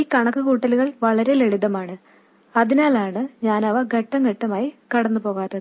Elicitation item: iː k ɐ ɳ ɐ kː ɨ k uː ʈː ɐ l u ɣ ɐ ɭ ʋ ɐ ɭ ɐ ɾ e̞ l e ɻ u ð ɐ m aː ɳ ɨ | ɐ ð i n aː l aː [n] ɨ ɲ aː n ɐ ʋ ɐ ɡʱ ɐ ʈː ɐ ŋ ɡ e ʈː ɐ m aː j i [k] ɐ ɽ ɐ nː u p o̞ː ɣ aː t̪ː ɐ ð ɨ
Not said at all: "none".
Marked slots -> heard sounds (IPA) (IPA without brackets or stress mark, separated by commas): ɳ, k